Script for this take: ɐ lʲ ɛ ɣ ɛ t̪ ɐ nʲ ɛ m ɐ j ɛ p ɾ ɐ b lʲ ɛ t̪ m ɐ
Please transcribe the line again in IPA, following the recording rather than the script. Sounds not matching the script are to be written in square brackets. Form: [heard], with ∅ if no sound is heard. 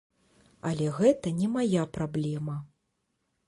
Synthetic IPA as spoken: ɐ lʲ ɛ ɣ ɛ t̪ ɐ nʲ ɛ m [a] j [a] p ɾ [a] b lʲ ɛ [∅] m ɐ